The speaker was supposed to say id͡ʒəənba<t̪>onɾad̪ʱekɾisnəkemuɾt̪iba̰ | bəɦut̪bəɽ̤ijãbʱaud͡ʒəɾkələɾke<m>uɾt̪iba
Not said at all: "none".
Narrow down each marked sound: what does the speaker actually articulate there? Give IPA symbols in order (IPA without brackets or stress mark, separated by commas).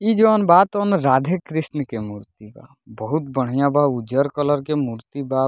t̪, m